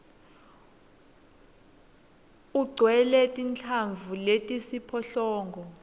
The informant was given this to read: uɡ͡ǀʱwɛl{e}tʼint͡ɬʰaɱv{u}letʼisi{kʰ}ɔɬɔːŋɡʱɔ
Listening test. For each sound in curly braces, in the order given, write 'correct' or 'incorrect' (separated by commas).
incorrect, correct, incorrect